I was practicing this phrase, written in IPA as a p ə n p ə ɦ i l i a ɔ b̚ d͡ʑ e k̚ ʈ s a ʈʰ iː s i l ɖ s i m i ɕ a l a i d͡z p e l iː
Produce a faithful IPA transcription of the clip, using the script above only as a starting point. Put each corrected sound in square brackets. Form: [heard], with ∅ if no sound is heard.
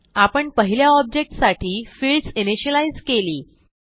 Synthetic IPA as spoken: a p ə [ɳ] p ə ɦ i l [j] a ɔ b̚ d͡ʑ e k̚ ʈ s a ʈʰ iː [f] i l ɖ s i [n] i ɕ [ə] l a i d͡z [k] e l iː